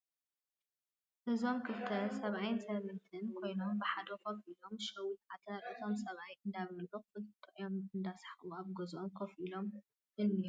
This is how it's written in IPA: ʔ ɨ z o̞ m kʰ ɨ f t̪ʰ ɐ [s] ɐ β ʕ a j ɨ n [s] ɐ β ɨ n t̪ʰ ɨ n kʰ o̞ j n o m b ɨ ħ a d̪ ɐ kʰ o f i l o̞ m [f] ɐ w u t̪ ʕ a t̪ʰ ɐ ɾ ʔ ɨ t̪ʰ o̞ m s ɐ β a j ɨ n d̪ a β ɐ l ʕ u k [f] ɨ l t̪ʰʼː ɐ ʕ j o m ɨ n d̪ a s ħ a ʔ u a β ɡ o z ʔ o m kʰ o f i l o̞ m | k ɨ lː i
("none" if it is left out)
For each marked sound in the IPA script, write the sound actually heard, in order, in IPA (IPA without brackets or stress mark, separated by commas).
s, s, ʃ, f